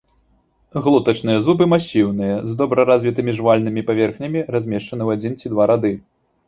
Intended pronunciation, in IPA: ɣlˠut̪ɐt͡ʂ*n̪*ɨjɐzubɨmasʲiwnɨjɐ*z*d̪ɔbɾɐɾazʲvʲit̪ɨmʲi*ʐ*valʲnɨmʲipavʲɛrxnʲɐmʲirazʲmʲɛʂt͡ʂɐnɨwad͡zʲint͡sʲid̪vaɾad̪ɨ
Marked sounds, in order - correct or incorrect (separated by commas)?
correct, correct, correct